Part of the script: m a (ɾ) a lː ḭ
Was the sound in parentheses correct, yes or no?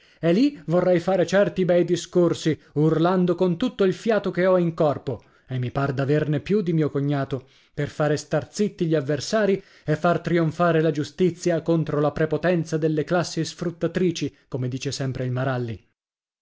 yes